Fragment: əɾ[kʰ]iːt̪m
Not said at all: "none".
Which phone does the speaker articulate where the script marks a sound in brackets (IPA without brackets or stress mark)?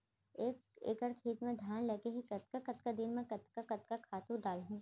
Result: kʰ